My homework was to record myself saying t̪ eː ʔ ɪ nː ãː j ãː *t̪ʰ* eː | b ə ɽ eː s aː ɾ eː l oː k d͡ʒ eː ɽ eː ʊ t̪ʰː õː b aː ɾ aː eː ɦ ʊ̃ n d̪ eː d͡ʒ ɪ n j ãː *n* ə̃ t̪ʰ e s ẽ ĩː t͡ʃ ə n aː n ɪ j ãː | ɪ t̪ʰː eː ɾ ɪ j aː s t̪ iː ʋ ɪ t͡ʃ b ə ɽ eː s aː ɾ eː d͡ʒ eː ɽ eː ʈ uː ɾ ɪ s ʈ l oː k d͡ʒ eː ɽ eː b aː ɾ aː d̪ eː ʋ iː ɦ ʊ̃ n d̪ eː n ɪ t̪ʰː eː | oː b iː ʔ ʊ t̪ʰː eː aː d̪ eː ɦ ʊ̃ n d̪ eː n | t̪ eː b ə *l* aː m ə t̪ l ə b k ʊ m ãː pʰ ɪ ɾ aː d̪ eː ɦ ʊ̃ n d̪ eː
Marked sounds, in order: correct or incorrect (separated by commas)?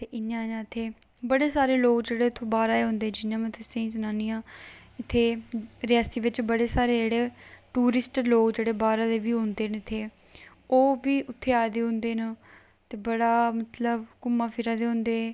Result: correct, incorrect, incorrect